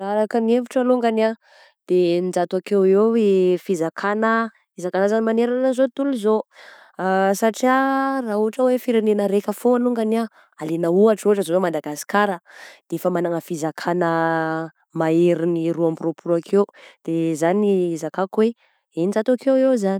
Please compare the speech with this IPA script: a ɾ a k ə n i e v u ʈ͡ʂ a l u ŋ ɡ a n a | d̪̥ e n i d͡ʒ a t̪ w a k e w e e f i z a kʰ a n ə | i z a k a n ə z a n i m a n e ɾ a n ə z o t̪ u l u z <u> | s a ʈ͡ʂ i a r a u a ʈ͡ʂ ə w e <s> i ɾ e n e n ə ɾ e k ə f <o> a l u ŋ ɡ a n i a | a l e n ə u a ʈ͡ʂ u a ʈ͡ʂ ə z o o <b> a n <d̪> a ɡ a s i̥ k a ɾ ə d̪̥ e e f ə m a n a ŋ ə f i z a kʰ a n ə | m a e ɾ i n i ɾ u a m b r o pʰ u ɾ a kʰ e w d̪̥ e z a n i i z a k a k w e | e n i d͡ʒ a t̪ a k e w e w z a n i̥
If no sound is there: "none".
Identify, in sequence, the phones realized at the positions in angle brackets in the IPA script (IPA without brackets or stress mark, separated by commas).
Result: o, f, o, m, d̪